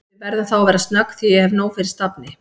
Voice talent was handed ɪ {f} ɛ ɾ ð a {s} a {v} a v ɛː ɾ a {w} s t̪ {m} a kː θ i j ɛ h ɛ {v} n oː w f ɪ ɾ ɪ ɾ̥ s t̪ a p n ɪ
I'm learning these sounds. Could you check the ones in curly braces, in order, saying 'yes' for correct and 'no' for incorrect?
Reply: no, no, no, no, no, yes

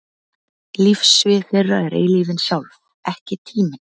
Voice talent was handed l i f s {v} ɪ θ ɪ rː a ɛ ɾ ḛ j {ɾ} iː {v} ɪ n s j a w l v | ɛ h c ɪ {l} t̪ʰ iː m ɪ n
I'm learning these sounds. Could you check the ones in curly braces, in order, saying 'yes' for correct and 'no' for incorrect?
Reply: yes, no, yes, no

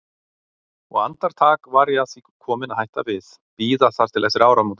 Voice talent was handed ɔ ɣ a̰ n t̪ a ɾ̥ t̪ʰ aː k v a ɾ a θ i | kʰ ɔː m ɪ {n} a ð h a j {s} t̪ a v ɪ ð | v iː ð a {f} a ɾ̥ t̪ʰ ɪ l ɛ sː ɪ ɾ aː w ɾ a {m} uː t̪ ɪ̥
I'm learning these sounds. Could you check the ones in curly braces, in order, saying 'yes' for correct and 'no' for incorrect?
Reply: yes, no, no, yes

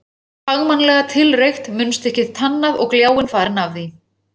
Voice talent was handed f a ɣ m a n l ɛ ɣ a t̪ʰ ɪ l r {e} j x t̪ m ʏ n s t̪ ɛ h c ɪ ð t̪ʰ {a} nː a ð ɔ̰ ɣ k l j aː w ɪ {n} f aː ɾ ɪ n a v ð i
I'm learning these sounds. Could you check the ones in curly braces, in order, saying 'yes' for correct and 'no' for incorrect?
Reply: yes, yes, yes

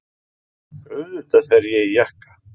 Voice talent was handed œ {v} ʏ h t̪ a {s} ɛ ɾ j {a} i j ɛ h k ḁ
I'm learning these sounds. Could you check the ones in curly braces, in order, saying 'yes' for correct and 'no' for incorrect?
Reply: no, no, no

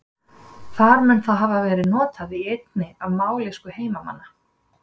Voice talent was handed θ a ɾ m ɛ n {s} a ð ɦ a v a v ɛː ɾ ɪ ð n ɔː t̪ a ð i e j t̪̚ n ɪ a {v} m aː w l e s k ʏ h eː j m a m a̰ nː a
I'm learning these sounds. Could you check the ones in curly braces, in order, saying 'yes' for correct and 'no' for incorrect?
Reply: no, yes

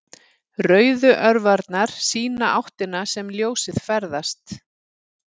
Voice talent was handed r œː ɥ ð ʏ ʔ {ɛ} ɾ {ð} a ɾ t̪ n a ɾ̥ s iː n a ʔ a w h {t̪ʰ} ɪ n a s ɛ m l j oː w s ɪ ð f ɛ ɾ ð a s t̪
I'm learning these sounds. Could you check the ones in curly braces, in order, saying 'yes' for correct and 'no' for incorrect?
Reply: no, no, no

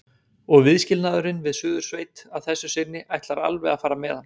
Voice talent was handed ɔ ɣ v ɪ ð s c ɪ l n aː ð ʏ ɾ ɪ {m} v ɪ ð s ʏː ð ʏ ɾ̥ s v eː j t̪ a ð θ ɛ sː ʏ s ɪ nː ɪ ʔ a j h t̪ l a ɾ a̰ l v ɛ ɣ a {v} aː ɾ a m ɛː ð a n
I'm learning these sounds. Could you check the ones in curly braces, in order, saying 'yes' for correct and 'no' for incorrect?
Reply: no, no

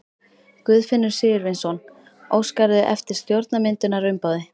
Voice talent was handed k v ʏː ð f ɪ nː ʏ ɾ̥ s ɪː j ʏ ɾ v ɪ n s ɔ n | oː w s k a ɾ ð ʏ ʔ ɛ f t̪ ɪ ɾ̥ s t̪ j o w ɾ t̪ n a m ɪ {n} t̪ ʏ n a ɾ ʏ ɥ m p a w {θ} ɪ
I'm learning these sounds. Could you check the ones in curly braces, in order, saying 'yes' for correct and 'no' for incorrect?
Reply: yes, no

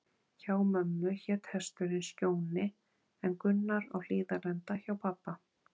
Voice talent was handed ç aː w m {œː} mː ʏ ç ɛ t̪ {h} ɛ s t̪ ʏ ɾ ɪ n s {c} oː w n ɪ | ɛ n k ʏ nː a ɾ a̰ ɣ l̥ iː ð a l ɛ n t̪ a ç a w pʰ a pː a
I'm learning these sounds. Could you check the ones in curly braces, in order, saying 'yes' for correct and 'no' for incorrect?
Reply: no, yes, yes

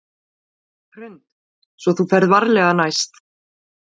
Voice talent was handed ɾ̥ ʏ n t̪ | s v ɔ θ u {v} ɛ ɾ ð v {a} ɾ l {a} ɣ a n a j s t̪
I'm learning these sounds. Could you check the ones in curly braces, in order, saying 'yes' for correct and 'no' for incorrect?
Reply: no, yes, no

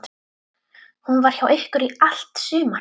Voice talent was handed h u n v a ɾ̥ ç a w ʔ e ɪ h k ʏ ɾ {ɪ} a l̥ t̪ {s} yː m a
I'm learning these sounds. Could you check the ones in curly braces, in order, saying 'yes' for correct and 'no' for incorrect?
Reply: no, yes

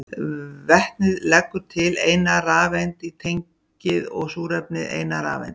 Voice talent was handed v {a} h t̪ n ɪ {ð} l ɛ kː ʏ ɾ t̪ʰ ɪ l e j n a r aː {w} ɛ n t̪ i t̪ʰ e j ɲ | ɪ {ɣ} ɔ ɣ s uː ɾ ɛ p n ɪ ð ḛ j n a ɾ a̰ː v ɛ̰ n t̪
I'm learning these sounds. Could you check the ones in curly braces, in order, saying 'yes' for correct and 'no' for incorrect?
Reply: no, yes, no, no

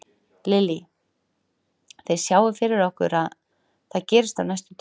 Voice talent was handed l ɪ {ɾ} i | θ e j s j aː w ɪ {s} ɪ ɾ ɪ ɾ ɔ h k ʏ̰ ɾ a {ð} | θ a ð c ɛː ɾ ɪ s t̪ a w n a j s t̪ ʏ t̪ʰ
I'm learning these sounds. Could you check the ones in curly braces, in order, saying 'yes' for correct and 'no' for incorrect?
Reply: no, no, yes

